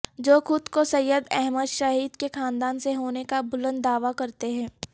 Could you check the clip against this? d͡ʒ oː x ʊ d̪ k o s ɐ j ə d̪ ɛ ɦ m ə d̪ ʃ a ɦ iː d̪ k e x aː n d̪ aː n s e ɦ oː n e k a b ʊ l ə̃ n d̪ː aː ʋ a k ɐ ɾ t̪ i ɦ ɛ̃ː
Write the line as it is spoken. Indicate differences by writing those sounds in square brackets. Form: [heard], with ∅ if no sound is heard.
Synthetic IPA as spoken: d͡ʒ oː x ʊ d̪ k o s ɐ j ə d̪ ɛ ɦ m ə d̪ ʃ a ɦ iː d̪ k e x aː n d̪ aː n s e ɦ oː n e k a b ʊ l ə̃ n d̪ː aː ʋ a k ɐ ɾ t̪ [e] ɦ ɛ̃ː